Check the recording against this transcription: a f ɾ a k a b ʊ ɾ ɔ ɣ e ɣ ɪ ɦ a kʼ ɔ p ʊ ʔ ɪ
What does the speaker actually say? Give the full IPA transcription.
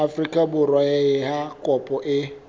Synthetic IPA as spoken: a f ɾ i k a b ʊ ɾ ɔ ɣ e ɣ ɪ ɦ a k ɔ p ʊ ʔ ɪ